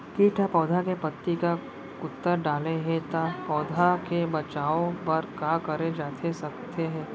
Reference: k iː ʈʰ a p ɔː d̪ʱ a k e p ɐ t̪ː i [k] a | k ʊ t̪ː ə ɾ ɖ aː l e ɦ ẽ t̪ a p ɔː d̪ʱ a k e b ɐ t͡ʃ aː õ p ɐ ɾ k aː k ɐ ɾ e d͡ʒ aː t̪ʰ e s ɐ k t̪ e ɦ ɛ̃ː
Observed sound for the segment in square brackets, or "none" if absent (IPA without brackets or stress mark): k